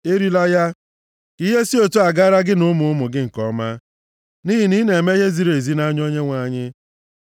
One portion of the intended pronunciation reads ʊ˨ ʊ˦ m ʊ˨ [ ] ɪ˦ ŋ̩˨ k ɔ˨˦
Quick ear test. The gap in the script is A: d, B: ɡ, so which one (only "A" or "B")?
B